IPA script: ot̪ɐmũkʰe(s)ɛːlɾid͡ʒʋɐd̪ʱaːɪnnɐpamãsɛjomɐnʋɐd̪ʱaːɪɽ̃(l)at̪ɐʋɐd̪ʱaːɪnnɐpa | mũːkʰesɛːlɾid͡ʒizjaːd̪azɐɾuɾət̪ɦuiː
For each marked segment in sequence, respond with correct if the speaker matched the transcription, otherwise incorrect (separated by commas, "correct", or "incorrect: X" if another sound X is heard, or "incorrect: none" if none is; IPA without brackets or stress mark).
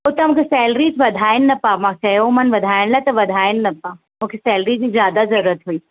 correct, correct